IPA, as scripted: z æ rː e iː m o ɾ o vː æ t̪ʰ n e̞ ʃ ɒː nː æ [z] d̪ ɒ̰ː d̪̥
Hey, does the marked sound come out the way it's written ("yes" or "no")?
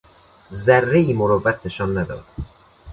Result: no